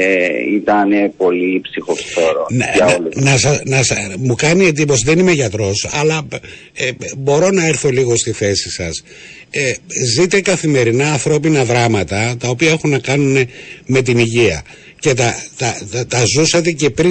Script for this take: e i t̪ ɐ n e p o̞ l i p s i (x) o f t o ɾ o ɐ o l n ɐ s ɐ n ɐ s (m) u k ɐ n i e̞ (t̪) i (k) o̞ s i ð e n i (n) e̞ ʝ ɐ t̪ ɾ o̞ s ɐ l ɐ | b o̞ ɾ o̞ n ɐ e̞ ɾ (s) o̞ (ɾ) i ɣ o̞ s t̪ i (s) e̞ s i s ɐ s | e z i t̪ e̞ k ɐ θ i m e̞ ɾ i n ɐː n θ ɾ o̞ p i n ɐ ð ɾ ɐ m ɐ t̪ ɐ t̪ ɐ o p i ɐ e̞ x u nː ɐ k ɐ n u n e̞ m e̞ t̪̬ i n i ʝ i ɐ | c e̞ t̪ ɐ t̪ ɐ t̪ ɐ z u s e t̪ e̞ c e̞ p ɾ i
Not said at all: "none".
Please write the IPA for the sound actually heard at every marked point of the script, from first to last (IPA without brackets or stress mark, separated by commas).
x, m, d̪, p, m, θ, l, θ